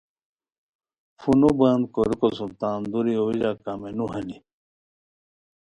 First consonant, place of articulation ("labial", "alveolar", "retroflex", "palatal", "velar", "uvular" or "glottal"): labial